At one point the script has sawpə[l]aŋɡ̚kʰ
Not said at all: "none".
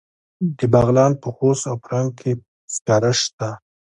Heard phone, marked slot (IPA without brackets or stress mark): ɾ